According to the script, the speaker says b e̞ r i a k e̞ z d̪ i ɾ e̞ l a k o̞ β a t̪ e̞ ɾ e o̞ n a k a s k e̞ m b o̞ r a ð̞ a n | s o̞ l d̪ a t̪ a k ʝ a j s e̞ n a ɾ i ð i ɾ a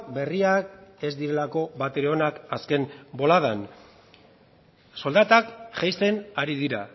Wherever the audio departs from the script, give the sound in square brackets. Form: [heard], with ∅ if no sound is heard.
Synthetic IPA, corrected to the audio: b e̞ r i a k e̞ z d̪ i ɾ e̞ l a k o̞ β a t̪ e̞ ɾ e o̞ n a k a s k e̞ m b o̞ [l] a ð̞ a n | s o̞ l d̪ a t̪ a k ʝ a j s e̞ n a ɾ i ð i ɾ a